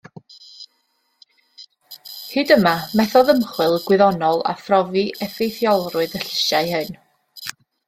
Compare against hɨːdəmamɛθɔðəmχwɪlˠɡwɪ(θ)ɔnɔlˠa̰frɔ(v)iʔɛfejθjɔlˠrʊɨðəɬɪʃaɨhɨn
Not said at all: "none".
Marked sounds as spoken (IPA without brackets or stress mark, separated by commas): ð, v